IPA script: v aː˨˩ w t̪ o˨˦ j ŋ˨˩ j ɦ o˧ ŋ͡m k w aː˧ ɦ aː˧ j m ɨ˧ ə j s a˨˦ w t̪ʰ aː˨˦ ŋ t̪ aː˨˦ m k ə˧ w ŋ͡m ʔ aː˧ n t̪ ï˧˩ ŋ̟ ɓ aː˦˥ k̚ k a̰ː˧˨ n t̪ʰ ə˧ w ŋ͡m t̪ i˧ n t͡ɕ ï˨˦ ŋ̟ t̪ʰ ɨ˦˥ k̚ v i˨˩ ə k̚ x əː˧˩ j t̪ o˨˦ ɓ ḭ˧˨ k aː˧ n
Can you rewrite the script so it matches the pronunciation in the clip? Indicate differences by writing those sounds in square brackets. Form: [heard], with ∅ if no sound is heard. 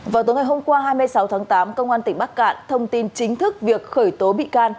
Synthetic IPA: v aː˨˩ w t̪ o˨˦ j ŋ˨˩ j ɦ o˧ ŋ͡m k w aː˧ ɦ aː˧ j m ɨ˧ ə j s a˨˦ w t̪ʰ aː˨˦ ŋ t̪ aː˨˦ m k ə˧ w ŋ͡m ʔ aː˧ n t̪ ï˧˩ ŋ̟ ɓ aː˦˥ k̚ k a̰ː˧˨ n t̪ʰ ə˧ w ŋ͡m t̪ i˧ n t͡ɕ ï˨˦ ŋ̟ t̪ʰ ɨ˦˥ k̚ v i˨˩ ə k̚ x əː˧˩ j t̪ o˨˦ ɓ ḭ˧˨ k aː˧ n